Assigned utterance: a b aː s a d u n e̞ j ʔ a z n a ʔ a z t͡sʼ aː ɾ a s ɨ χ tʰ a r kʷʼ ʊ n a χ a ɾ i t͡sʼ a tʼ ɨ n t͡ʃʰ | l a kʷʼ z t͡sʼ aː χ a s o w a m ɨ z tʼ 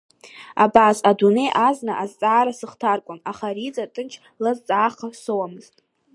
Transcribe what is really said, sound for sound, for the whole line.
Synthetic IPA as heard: a b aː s a d u n e̞ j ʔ a z n a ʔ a z t͡sʼ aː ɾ a s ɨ χ tʰ a r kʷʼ ʊ n a χ a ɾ i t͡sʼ a tʼ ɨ n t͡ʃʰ | l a z t͡sʼ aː χ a s o w a m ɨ z tʼ